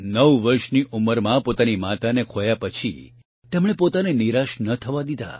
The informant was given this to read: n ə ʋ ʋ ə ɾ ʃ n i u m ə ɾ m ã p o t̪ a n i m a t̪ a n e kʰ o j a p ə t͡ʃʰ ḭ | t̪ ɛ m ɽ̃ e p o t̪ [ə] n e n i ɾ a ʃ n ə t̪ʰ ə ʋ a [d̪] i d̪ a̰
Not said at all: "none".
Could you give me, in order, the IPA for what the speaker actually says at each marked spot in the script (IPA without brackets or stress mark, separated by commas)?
a, d̪